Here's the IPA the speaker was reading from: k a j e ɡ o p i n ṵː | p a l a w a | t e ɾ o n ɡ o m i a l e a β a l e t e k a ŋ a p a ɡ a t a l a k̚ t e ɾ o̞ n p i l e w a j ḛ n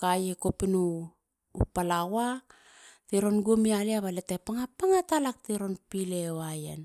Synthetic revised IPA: k a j e k o p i n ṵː | p a l a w a | t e ɾ o n ɡ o m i a l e a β a l e t e p a ŋ a p a ŋ a t a l a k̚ t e ɾ o̞ n p i l e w a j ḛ n